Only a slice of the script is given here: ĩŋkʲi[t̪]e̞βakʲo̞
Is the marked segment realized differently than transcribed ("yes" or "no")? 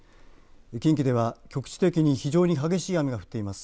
yes